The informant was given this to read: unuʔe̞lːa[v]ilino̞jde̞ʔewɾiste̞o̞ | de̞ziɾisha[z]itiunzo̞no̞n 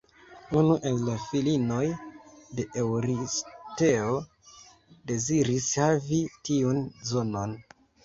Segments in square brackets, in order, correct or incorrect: incorrect: f, incorrect: v

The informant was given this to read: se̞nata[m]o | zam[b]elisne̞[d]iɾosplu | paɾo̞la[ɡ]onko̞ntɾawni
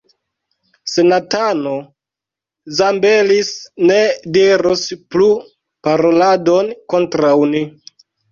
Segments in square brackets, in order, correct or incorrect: incorrect: n, correct, correct, incorrect: d

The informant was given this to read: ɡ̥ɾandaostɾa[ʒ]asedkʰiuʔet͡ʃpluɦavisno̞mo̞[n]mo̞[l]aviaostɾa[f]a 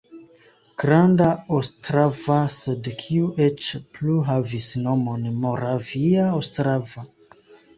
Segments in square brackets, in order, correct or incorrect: incorrect: v, correct, incorrect: ɾ, incorrect: v

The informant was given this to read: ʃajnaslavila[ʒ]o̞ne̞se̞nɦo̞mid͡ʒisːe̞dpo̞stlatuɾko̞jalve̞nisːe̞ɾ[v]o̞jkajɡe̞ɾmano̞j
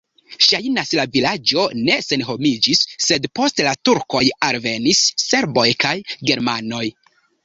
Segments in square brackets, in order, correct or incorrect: incorrect: d͡ʒ, incorrect: b

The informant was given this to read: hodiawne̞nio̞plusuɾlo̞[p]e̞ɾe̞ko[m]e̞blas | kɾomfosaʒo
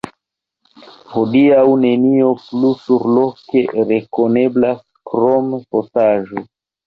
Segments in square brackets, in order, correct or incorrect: incorrect: k, incorrect: n

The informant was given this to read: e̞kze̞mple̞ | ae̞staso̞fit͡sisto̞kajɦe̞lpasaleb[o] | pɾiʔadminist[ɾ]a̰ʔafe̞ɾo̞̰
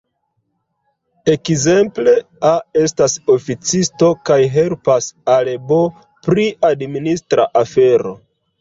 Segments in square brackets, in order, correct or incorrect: correct, correct

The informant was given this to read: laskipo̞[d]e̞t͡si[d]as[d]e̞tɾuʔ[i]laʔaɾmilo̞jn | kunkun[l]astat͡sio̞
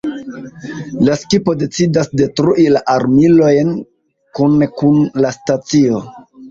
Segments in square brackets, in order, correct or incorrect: correct, correct, correct, correct, correct

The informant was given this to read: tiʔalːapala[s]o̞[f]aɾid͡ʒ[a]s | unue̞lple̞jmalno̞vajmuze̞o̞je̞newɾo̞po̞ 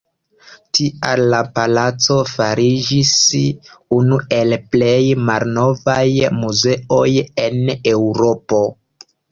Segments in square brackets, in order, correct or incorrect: incorrect: t͡s, correct, incorrect: i

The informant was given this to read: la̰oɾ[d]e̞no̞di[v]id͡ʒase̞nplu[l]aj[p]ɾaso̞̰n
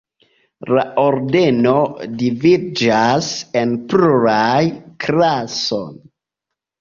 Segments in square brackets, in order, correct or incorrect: correct, correct, incorrect: ɾ, incorrect: k

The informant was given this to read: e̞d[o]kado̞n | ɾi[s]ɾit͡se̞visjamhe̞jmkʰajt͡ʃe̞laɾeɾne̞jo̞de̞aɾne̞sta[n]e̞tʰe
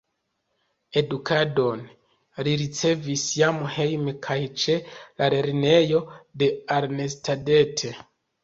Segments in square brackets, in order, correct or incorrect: incorrect: u, incorrect: none, incorrect: d

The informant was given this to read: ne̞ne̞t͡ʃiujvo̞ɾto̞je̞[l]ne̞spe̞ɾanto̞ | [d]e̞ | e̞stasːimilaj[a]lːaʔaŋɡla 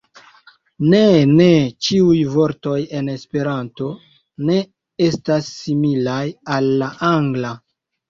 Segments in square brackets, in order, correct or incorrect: incorrect: none, incorrect: n, correct

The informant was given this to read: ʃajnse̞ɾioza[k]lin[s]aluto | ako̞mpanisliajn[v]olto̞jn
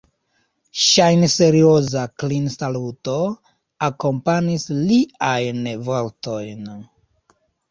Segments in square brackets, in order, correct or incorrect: correct, correct, correct

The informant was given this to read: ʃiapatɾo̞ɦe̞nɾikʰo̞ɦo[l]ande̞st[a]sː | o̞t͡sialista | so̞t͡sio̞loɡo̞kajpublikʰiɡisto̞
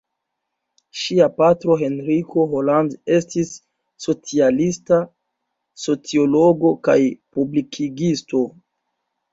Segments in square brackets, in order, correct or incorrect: correct, incorrect: i

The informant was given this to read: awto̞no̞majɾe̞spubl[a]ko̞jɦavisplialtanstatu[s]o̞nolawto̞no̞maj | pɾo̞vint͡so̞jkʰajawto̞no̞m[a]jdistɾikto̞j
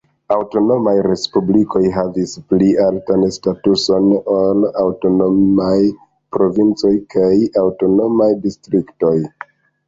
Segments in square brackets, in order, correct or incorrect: incorrect: i, correct, correct

